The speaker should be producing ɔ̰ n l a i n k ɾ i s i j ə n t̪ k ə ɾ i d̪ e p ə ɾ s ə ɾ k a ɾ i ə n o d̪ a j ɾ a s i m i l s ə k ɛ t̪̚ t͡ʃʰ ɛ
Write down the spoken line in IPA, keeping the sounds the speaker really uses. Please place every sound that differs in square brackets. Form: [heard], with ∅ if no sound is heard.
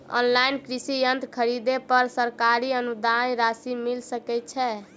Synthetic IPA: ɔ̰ n l a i n k ɾ i s i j ə n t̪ [kʰ] ə ɾ i d̪ e p ə ɾ s ə ɾ k a ɾ i ə n [u] d̪ a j ɾ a s i m i l s ə k ɛ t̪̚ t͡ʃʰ ɛ